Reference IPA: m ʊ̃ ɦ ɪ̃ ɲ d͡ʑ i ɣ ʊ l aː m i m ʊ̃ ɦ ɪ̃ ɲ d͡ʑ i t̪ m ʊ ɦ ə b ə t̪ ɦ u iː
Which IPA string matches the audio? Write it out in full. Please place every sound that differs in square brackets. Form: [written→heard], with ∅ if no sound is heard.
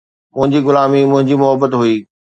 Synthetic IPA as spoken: m ʊ̃ ɦ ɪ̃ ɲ d͡ʑ i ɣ ʊ l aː m i m ʊ̃ ɦ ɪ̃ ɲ d͡ʑ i [t̪→∅] m ʊ ɦ ə b ə t̪ ɦ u iː